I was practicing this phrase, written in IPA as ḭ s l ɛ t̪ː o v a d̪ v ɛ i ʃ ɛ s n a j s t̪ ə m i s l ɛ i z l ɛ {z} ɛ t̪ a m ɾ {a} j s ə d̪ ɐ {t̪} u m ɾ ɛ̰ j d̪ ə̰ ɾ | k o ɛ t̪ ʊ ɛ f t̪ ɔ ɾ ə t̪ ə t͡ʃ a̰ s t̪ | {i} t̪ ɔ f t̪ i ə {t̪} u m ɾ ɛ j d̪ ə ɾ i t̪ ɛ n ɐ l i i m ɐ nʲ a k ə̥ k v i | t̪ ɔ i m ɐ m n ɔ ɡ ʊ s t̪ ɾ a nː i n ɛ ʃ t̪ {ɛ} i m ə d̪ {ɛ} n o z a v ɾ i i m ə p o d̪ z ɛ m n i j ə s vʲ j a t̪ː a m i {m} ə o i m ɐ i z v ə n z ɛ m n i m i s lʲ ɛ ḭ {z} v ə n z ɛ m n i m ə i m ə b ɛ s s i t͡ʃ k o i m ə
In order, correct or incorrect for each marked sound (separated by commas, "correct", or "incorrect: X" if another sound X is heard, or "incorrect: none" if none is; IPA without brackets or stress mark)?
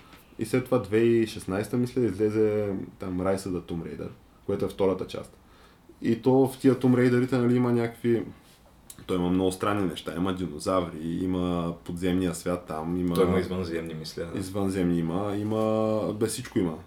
correct, correct, correct, correct, correct, incorrect: a, incorrect: i, correct, correct